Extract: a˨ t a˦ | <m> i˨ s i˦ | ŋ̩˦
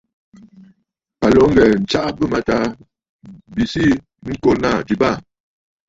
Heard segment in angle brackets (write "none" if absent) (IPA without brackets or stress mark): b